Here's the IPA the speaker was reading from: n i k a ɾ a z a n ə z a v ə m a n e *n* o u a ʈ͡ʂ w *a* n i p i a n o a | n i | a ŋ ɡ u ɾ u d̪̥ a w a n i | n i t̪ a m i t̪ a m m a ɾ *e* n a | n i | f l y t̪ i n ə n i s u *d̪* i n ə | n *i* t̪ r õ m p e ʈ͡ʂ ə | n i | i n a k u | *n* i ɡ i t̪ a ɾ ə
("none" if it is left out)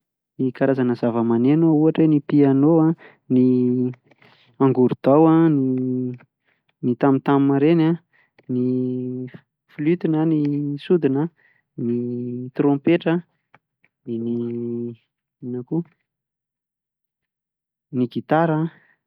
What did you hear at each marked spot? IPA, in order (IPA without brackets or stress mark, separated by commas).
n, e, e, d̪, i, n